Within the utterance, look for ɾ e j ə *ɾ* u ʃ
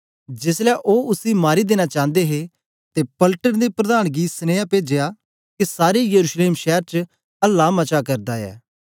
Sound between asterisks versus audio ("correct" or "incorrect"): correct